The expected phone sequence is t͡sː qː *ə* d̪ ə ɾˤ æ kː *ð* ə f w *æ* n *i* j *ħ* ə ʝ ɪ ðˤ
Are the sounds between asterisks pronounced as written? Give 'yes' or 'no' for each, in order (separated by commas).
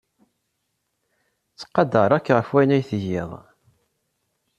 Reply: no, no, yes, no, no